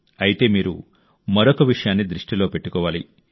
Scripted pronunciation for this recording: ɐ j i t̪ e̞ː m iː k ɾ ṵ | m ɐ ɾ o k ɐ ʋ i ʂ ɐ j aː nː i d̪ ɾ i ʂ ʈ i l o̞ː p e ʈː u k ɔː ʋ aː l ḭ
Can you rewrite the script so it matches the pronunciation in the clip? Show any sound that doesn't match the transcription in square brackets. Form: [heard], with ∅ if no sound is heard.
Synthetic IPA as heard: ɐ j i t̪ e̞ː m iː [∅] ɾ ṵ | m ɐ ɾ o k ɐ ʋ i ʂ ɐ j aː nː i d̪ ɾ i ʂ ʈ i l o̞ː p e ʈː u k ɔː ʋ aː l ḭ